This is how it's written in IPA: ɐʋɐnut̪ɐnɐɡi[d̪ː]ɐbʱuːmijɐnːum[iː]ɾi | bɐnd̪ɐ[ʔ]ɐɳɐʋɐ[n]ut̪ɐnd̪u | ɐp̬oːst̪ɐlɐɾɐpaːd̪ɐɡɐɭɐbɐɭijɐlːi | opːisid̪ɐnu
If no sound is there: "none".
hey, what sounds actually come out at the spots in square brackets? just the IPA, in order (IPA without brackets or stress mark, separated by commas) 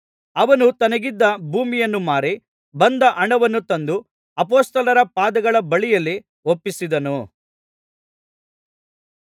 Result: d̪ː, aː, ʔ, nː